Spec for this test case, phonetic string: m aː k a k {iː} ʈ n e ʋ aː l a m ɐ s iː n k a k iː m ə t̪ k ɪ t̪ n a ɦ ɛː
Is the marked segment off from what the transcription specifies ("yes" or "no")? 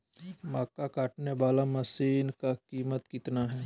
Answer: yes